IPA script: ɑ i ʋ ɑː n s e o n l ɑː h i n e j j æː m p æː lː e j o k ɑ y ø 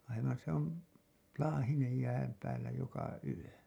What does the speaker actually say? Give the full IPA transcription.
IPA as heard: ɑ i ʋ ɑ n s e o n l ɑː h i n e j j æː m p æː lː æ j o k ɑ y ø